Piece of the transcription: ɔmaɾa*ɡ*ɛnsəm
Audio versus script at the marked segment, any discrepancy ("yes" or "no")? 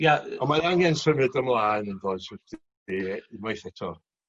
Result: yes